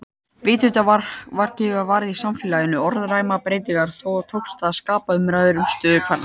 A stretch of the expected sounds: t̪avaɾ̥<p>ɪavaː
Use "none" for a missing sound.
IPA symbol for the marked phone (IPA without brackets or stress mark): c